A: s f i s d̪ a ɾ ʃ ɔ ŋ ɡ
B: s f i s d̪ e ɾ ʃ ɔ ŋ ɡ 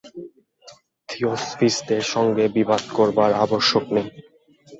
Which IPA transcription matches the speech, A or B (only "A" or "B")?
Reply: B